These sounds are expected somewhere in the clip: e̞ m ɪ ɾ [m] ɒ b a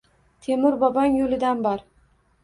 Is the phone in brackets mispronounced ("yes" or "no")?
yes